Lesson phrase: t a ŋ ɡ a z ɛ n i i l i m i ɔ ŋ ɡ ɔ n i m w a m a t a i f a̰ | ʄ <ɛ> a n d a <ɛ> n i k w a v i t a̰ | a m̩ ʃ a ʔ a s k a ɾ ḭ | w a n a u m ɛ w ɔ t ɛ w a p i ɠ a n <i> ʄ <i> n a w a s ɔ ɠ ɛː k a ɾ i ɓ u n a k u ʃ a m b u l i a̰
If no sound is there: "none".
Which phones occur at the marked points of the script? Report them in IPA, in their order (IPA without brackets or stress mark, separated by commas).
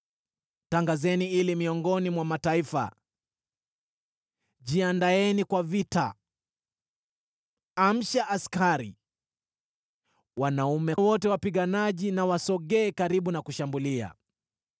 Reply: i, ɛ, a, i